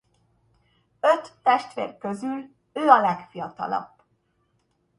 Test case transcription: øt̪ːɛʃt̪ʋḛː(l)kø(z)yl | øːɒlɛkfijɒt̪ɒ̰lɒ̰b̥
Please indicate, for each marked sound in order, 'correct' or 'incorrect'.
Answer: incorrect: r, correct

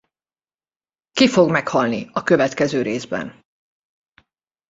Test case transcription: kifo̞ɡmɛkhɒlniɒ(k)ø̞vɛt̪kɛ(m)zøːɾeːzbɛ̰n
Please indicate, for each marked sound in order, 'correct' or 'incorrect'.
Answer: correct, incorrect: none

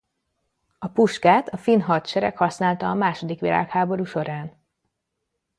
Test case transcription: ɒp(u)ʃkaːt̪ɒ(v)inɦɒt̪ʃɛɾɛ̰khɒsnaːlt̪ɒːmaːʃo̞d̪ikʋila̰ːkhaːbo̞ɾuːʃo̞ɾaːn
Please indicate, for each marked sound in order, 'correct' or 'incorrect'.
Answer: correct, incorrect: f

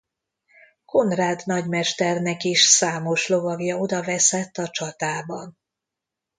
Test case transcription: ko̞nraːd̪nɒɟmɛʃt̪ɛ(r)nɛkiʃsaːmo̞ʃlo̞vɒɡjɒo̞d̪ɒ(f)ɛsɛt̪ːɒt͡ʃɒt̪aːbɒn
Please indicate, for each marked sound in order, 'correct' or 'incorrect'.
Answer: correct, incorrect: v

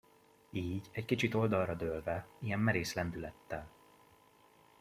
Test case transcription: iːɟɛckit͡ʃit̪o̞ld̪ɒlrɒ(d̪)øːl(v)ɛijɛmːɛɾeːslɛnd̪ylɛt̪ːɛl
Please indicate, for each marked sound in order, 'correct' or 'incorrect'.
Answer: correct, correct

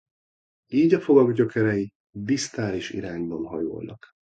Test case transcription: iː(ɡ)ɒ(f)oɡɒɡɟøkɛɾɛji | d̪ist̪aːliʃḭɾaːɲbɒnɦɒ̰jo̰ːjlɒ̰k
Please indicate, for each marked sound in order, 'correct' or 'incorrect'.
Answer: incorrect: ɟ, correct

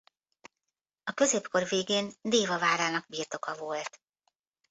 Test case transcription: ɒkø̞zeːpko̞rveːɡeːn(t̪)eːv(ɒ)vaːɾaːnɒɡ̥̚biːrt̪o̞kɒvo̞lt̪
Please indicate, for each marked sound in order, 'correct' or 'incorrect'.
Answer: incorrect: d̪, correct

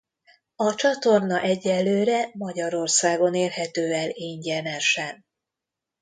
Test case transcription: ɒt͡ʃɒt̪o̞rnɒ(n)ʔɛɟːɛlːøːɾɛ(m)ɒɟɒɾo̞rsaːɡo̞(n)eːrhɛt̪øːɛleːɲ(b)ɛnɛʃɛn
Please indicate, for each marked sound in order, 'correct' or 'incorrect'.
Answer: incorrect: none, correct, correct, incorrect: ɟ

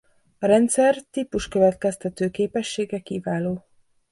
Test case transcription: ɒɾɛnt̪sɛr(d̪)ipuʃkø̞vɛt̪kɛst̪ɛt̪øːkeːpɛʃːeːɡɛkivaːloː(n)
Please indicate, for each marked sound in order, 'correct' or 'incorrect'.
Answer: incorrect: t̪, incorrect: none

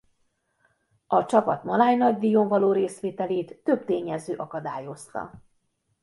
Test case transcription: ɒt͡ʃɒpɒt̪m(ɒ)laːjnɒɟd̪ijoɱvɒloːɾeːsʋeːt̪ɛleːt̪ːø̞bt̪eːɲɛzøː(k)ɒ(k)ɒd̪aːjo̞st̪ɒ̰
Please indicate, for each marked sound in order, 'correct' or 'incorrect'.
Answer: correct, incorrect: ʔ, correct

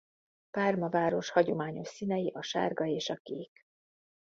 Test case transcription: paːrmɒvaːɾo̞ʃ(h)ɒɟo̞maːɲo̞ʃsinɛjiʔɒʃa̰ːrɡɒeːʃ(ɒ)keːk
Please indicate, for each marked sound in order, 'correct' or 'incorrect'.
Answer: correct, correct

